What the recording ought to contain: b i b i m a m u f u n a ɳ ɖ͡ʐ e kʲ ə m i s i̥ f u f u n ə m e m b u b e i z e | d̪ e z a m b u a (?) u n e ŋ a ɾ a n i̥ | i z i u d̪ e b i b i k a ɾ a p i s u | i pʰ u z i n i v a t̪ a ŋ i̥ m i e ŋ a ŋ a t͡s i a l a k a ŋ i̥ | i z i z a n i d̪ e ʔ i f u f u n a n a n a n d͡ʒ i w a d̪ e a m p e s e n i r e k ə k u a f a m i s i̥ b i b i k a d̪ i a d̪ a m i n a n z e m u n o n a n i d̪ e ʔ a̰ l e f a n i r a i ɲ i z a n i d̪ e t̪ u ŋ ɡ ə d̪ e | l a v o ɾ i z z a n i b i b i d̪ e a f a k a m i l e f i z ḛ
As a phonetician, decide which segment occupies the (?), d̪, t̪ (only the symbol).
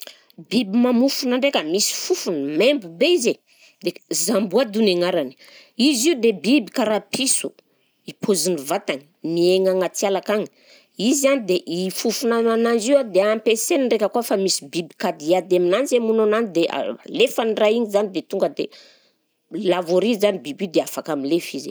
d̪